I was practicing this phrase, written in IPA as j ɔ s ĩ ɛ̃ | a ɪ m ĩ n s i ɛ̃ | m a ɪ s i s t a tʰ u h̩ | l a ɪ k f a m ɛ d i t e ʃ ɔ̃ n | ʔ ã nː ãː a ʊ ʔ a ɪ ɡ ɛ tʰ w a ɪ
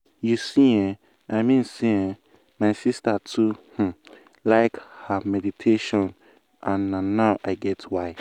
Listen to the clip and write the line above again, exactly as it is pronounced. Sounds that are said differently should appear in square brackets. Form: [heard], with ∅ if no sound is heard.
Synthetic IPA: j [u] s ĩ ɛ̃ | a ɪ m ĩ n s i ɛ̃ | m a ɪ s i s t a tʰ u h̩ | l a ɪ k [h] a m ɛ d i [tʰ] e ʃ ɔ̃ n | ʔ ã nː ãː a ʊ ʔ a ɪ ɡ ɛ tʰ w a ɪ